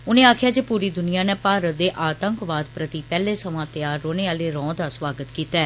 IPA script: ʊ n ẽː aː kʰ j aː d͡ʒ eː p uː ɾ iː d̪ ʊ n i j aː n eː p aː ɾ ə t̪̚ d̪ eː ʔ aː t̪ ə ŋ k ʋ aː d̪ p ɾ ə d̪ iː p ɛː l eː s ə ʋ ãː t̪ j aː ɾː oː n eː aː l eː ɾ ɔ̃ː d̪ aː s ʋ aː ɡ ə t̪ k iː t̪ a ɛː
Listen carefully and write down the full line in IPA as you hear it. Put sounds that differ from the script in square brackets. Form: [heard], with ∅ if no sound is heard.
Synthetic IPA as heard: ʊ n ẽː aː kʰ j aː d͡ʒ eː p uː ɾ iː d̪ ʊ n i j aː n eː p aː ɾ ə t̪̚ d̪ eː ʔ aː t̪ ə ŋ k ʋ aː d̪ p ɾ ə [t̪] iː p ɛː l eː s ə ʋ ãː t̪ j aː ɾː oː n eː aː l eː ɾ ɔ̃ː d̪ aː s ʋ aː ɡ ə t̪ k iː t̪ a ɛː